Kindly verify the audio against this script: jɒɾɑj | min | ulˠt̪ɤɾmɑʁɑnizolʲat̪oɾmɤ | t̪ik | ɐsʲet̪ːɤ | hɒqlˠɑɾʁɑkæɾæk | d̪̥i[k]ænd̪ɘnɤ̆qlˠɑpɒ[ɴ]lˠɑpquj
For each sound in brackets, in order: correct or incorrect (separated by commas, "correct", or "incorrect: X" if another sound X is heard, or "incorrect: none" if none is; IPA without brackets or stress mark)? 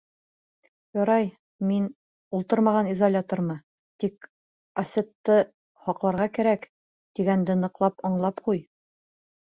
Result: incorrect: ɡ, correct